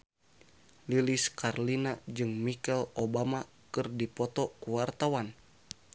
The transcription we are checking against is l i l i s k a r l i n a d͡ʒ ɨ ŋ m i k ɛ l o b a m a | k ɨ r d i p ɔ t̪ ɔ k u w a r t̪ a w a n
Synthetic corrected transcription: l i l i s k a r l i n a d͡ʒ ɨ ŋ m i k ɛ l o b a m a | k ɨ r d i p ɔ t̪ ɔ k u w a r t̪ a w a n